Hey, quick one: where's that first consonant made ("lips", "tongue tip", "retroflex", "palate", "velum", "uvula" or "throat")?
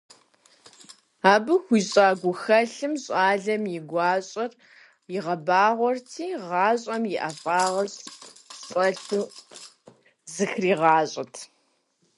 lips